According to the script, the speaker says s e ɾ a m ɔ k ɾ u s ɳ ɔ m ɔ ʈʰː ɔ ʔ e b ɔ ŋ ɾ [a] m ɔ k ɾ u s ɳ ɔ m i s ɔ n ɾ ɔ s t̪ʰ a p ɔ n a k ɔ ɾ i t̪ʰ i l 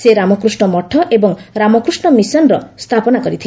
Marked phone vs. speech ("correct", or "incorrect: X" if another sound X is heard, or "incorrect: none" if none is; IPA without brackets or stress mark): correct